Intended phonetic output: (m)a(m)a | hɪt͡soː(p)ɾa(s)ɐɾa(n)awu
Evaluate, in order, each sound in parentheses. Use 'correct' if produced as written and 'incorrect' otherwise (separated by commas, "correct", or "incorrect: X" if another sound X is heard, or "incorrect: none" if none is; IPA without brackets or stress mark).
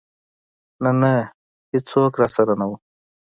incorrect: n, incorrect: n, incorrect: k, correct, correct